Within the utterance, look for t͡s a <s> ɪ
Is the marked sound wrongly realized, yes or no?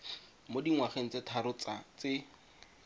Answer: yes